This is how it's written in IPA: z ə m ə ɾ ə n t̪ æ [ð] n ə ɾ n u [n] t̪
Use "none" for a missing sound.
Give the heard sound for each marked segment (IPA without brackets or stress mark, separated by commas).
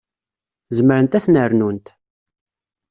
θ, n